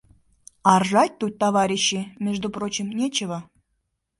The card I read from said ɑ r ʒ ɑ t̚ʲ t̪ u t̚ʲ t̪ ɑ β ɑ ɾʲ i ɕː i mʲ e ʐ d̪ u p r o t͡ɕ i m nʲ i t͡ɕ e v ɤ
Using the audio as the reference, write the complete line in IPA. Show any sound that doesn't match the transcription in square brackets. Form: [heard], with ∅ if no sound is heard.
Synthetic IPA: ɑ r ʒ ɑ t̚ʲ t̪ u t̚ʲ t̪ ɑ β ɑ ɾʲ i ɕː i mʲ e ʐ d̪ u p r o t͡ɕ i m nʲ [e] t͡ɕ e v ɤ